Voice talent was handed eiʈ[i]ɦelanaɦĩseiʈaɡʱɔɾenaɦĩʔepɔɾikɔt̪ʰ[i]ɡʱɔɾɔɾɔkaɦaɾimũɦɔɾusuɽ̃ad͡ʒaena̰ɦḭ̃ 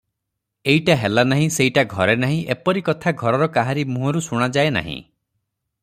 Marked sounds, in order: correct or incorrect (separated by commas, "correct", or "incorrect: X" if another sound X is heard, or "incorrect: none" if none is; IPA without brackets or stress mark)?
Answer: incorrect: a, incorrect: a